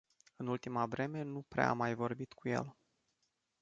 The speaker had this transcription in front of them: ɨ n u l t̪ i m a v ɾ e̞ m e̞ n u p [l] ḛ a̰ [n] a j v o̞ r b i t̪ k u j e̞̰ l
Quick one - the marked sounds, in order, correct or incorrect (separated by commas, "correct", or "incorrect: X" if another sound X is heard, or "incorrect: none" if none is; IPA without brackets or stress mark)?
incorrect: ɾ, incorrect: m